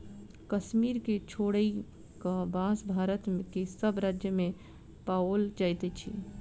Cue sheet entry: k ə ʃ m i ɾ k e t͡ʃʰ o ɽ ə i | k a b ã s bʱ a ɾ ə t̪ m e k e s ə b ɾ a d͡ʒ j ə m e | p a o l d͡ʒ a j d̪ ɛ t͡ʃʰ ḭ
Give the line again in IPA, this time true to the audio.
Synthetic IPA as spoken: k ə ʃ m i ɾ k e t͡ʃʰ o ɽ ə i | k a b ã s bʱ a ɾ ə t̪ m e k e s ə b ɾ a d͡ʒ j ə m e | p a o l d͡ʒ a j t̪ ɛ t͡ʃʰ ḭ

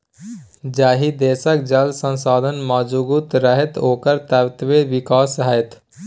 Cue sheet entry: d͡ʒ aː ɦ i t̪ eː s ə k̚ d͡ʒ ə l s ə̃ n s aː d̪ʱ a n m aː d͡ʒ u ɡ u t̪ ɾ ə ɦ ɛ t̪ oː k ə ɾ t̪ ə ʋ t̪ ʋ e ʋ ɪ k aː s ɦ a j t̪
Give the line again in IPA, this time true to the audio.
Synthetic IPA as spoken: d͡ʒ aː ɦ i d̪ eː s ə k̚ d͡ʒ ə l s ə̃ n s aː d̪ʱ ə n m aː d͡ʒ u ɡ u t̪ ɾ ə ɦ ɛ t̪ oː k ə ɾ t̪ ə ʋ t̪ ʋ e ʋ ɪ k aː s ɦ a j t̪

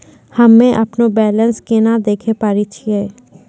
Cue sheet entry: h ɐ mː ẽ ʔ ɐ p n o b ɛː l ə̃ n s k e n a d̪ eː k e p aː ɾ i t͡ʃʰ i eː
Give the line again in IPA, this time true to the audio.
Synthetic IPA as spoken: h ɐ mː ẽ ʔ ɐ p n o b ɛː l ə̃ n s k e n a d̪ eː kʰ e p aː ɾ i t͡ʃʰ i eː

